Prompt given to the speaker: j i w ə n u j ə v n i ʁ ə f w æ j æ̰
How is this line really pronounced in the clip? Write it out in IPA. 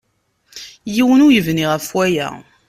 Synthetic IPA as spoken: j i w ə n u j ə v n i ʁ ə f w æ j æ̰